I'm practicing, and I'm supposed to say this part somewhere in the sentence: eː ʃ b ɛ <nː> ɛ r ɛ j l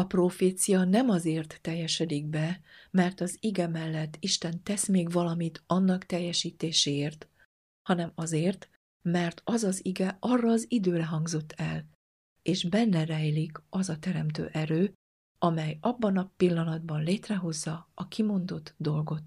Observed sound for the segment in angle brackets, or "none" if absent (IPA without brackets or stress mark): nː